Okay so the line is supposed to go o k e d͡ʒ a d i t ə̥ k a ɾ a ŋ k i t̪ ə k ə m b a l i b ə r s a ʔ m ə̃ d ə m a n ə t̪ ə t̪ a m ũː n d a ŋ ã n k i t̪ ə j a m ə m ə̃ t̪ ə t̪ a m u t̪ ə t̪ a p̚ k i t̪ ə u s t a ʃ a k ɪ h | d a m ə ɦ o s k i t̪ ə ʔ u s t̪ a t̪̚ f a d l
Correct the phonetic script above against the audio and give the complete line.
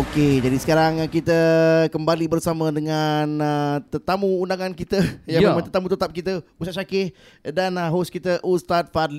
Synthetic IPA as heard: o k e d͡ʒ a d i s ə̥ k a ɾ a ŋ k i t̪ ə k ə m b a l i b ə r s a m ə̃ d ə ŋ a n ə t̪ ə t̪ a m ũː n d a ŋ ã n k i t̪ ə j a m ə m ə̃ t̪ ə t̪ a m u t̪ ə t̪ a p̚ k i t̪ ə u s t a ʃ a k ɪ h | d a n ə ɦ o s k i t̪ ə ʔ u s t̪ a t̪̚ f a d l